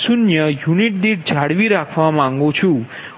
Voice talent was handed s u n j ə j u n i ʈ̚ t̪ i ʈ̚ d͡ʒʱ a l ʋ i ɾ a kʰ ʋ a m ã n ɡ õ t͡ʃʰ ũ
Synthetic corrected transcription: s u n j ə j u n i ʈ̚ d̪ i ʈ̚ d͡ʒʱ a ɽ ʋ i ɾ a kʰ ʋ a m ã ŋ ɡ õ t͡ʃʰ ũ